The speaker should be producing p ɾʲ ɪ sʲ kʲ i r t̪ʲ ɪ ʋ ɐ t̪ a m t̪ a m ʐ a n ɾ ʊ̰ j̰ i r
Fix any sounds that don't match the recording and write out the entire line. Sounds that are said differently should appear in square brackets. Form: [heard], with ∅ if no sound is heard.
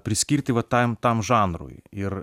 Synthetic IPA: p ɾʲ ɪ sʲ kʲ i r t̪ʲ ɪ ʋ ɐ t̪ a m t̪ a m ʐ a n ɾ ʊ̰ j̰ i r